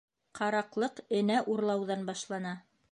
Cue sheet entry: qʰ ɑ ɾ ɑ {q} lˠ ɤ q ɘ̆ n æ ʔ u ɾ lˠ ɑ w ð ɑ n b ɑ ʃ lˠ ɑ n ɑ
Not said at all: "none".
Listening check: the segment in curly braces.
q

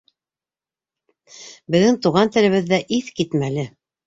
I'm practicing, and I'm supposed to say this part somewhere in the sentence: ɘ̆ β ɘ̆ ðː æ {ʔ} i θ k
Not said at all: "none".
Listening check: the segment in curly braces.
ʔ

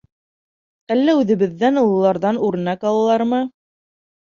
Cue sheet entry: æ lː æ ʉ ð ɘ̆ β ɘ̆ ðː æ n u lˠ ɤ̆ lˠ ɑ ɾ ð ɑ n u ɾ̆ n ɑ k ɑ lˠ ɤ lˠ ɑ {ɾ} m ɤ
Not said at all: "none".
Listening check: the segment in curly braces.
ɾ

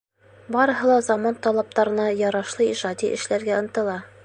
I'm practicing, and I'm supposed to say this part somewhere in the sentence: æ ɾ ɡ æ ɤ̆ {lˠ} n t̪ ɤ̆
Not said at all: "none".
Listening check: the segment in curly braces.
none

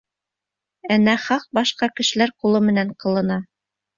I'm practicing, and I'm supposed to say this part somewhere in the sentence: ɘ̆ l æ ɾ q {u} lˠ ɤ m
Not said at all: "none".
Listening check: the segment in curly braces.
u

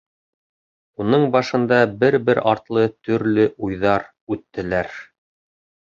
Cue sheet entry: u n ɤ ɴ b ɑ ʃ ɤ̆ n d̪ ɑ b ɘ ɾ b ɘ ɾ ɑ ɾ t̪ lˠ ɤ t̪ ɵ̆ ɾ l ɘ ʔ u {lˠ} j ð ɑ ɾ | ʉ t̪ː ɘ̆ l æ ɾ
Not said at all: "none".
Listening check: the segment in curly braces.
none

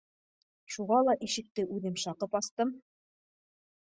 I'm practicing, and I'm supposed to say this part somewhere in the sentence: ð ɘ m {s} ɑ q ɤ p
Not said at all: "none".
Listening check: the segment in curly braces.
ʃ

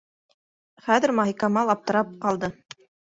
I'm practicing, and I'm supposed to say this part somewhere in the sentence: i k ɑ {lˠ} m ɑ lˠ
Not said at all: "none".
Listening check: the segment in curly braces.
none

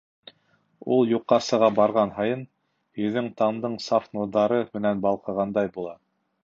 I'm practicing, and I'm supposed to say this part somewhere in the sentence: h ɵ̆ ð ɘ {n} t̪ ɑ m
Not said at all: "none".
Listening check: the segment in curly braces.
ŋ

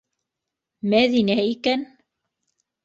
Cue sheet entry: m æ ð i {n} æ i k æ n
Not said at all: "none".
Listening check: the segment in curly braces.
n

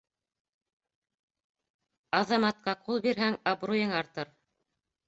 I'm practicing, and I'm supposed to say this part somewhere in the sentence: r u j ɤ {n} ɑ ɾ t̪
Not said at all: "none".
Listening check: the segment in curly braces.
ŋ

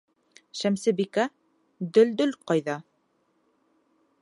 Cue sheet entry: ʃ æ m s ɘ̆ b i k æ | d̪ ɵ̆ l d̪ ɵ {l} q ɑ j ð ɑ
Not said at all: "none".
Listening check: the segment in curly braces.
l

